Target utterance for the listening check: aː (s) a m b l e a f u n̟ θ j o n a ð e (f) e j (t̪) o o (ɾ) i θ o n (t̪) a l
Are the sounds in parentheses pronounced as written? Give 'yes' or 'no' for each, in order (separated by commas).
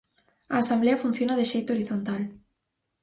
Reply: yes, no, yes, yes, yes